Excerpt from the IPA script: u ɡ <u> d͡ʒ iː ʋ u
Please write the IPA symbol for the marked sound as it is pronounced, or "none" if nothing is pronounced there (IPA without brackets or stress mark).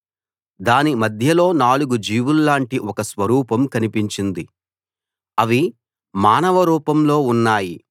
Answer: u